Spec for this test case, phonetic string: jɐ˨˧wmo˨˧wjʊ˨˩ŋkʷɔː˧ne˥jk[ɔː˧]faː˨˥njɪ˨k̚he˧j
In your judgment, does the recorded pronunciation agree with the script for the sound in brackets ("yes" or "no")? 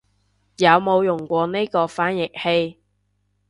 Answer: yes